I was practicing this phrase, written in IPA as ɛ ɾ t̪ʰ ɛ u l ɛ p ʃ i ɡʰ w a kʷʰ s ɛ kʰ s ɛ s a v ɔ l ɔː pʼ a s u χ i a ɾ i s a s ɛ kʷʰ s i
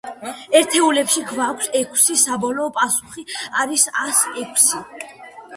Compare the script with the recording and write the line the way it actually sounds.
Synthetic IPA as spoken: ɛ ɾ t̪ʰ ɛ u l ɛ p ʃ i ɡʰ v a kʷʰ s ɛ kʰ s i s a b ɔ l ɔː pʼ a s u χ i a ɾ i s a s ɛ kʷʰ s i